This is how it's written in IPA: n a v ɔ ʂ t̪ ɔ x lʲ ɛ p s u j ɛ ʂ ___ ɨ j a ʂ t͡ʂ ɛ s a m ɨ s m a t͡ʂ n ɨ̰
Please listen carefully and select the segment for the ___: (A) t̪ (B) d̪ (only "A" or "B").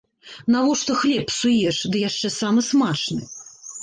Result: B